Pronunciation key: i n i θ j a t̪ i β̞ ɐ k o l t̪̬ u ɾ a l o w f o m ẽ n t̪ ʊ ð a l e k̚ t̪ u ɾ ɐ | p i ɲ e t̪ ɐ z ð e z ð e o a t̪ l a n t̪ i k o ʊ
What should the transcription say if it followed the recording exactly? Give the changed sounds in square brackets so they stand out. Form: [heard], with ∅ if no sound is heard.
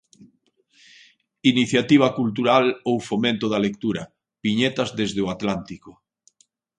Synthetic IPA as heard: i n i θ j a t̪ i β̞ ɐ k [u] l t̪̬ u ɾ a l o w f o m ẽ n t̪ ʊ ð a l e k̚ t̪ u ɾ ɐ | p i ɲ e t̪ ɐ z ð e z ð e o a t̪ l a n t̪ i k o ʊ